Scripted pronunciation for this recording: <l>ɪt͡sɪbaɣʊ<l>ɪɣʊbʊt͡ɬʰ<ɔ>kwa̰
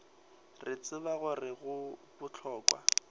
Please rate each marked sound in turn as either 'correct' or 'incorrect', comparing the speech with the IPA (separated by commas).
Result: incorrect, incorrect, incorrect